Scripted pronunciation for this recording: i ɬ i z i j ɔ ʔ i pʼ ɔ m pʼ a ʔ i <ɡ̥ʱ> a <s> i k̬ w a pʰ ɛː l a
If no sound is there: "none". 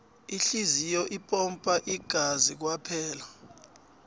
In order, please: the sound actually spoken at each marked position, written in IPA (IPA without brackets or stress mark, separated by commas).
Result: ɡ̥ʱ, z